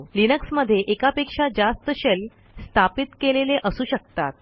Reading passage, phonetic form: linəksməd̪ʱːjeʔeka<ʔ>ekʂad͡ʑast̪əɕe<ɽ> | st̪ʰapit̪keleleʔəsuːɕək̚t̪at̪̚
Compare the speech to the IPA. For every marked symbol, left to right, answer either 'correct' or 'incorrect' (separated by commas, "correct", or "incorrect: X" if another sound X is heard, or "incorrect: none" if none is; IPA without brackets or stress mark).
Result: incorrect: p, incorrect: l